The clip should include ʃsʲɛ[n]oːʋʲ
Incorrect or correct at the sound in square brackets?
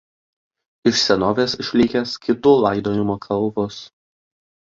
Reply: correct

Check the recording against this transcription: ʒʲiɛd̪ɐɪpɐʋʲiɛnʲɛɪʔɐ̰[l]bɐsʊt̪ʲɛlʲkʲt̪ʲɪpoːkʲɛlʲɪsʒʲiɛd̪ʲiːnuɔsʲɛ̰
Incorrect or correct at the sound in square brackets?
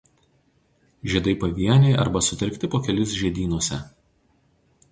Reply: incorrect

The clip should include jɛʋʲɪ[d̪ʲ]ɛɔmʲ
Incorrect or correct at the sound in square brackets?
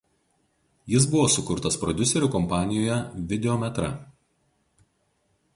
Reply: correct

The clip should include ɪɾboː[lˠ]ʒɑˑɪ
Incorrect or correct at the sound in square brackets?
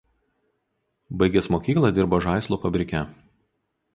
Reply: incorrect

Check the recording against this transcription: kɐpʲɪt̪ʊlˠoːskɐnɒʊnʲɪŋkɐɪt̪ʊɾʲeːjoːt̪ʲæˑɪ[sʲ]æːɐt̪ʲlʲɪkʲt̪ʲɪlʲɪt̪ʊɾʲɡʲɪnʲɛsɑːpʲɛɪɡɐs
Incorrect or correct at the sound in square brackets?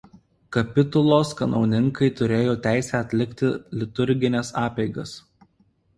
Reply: correct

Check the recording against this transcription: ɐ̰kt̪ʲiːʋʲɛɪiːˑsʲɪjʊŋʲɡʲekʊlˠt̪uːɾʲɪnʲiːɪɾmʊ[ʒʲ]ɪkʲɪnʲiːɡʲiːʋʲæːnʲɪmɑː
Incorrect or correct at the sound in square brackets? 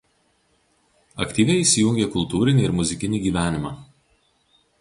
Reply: incorrect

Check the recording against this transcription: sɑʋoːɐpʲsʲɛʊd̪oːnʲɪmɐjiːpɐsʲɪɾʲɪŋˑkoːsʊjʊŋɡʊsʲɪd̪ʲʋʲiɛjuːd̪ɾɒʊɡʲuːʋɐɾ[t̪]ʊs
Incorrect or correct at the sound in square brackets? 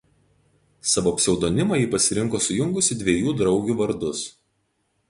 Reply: incorrect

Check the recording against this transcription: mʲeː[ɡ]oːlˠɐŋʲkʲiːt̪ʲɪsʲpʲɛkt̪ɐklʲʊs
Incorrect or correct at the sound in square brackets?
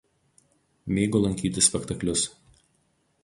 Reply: correct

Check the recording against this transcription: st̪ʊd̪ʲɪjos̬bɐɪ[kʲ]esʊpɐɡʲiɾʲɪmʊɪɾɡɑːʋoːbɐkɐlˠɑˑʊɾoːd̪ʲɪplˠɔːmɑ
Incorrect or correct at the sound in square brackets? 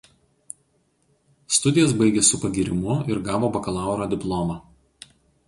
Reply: incorrect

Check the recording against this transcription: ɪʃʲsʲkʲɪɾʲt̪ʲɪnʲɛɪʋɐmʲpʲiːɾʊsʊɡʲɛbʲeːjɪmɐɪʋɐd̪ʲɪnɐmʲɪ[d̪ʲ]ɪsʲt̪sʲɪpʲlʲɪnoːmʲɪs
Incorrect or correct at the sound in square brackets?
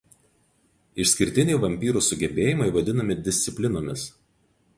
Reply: correct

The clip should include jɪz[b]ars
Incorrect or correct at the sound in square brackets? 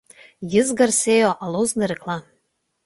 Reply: incorrect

